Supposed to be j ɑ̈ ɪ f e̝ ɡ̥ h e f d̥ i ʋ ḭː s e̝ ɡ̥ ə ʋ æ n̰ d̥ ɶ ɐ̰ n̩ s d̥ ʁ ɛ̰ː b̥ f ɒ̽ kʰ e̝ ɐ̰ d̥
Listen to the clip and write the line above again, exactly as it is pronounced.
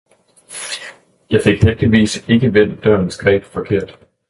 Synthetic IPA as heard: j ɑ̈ ɪ f e̝ ɡ̥ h e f d̥ i ʋ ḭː s e̝ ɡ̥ ə ʋ e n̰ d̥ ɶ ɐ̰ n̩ s ɡ̥ ʁ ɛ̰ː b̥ f ɒ̽ kʰ e̝ ɐ̰ d̥